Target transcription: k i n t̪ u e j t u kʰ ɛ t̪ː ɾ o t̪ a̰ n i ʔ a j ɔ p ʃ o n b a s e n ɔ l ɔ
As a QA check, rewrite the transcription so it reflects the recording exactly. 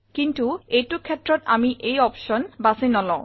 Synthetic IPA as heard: k i n t̪ u e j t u kʰ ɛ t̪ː ɾ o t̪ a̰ m i ʔ e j ɔ p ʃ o n b a s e n ɔ l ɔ